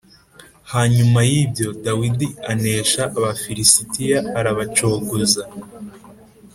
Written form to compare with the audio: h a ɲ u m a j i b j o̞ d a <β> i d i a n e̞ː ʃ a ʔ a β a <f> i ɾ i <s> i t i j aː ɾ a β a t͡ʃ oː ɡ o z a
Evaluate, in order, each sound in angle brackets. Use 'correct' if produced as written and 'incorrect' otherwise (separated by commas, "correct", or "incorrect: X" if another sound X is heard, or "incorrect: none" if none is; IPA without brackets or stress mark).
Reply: incorrect: w, correct, correct